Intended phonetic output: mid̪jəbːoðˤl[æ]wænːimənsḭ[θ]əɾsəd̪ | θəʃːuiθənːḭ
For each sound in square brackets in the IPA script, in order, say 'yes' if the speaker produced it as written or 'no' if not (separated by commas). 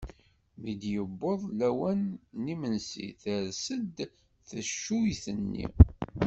yes, yes